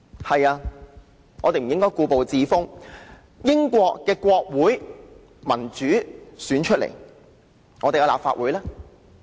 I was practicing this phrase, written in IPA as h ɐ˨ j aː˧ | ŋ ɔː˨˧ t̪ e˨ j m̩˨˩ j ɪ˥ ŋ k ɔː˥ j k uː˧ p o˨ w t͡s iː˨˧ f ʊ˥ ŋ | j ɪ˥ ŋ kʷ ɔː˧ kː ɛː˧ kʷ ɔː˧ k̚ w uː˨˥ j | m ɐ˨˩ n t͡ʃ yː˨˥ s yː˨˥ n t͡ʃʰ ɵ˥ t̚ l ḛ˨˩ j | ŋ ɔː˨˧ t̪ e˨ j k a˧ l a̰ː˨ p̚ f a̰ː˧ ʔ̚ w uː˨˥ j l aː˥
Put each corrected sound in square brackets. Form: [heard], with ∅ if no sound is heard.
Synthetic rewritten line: h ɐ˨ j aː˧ | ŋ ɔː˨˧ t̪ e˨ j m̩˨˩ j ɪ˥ ŋ k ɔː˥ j k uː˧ p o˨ w t͡s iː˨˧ f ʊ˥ ŋ | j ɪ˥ ŋ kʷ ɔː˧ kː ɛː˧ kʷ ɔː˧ k̚ w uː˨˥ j | m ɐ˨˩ n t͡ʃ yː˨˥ s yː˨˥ n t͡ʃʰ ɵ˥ t̚ l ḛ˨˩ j | ŋ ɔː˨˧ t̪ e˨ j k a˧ l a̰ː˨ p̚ f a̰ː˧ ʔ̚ w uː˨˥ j l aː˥

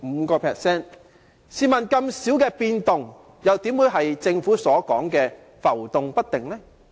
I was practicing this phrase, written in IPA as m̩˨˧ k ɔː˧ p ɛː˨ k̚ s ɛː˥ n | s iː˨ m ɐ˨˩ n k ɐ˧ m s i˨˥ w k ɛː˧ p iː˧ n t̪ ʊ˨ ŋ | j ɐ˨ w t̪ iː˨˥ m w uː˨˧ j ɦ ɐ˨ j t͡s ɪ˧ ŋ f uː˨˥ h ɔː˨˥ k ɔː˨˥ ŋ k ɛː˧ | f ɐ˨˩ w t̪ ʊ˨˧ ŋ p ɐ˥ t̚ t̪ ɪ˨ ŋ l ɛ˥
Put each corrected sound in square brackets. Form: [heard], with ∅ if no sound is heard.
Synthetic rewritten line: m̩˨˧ k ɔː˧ [pʰ] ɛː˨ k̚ s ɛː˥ n | s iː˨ m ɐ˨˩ n k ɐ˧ m s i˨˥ w k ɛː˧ p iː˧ n t̪ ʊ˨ ŋ | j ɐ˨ w t̪ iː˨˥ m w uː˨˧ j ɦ ɐ˨ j t͡s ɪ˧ ŋ f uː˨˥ [s] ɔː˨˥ k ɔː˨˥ ŋ k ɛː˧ | f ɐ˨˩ w t̪ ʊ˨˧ ŋ p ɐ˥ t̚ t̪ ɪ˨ ŋ l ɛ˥

